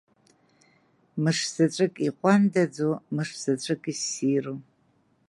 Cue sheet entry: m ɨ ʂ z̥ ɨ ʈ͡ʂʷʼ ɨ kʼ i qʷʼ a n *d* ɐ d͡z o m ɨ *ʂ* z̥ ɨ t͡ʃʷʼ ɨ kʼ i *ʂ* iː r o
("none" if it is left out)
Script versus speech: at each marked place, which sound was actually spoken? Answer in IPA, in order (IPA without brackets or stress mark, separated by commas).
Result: d, ʂ, s